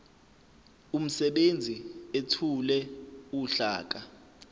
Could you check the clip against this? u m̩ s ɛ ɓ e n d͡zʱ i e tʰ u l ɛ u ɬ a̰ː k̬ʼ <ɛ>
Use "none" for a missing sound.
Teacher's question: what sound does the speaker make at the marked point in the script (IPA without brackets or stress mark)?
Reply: a